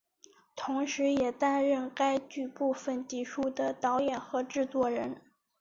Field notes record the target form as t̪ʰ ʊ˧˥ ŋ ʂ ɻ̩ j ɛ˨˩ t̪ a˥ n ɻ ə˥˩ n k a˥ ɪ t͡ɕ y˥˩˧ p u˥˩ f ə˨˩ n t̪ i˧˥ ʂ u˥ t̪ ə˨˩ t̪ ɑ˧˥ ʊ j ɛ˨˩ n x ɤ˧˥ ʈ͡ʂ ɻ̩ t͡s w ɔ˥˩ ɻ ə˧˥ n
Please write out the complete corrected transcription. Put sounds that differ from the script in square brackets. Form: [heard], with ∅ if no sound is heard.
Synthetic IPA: t̪ʰ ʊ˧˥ ŋ ʂ ɻ̩ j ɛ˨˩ t̪ a˥ n ɻ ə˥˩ n k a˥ ɪ t͡ɕ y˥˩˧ p u˥˩ f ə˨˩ n t̪ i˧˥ ʂ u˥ [d̪] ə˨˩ t̪ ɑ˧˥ ʊ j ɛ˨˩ n x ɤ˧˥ ʈ͡ʂ ɻ̩ t͡s w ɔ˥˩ ɻ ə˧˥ n